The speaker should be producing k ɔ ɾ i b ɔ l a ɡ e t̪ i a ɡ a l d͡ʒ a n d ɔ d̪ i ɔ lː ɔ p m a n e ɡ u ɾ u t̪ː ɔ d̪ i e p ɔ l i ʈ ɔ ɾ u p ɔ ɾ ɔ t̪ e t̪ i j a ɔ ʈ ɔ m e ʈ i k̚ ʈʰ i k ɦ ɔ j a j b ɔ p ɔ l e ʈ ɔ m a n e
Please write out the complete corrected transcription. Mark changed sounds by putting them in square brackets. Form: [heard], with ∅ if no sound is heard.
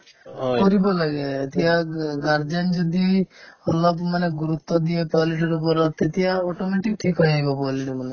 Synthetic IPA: k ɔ ɾ i b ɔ l a ɡ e t̪ i a ɡ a [ɾ] d͡ʒ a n [d͡ʒ] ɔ d̪ i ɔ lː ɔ p m a n e ɡ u ɾ u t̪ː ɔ d̪ i e p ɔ l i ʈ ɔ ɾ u p ɔ ɾ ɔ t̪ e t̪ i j a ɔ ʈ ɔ m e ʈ i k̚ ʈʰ i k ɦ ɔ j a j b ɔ p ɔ l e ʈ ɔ m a n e